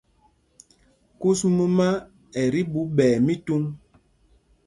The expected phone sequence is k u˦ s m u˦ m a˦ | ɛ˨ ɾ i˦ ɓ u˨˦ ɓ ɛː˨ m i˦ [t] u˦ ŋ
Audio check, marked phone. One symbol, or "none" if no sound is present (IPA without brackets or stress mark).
t